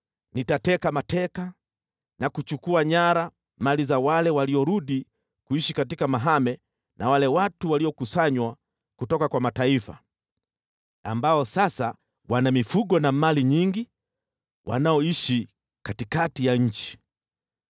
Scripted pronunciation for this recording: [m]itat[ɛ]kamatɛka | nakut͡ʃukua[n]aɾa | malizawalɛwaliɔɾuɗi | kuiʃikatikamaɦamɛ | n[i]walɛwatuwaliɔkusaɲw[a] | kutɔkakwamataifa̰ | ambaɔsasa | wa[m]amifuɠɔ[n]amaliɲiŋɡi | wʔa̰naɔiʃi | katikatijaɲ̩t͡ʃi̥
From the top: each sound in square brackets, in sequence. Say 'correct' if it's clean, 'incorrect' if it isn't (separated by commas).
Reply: incorrect, correct, incorrect, incorrect, correct, incorrect, correct